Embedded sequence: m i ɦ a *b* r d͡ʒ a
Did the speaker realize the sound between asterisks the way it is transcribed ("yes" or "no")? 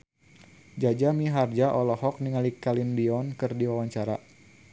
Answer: no